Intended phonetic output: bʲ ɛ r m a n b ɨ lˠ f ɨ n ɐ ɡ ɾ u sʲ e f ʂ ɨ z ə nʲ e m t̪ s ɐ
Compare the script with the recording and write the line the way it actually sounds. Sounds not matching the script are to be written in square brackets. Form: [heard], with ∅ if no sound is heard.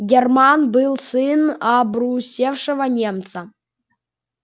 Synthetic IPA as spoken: [ɡʲ] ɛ r m a n b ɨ lˠ [s] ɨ n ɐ [b] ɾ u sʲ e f ʂ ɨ [v] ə nʲ e m t̪ s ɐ